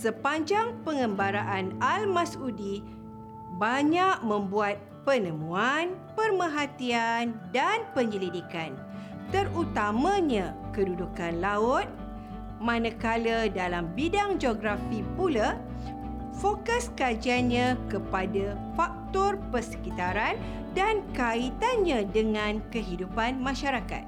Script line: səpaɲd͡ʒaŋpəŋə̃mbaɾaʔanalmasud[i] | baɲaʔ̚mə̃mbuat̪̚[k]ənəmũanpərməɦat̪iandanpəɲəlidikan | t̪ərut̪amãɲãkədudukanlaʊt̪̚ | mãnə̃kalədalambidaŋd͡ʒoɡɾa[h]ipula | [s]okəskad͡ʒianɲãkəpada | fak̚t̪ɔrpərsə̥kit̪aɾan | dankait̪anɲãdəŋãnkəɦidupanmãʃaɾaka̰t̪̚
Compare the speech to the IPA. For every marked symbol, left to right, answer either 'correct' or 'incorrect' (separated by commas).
correct, incorrect, incorrect, incorrect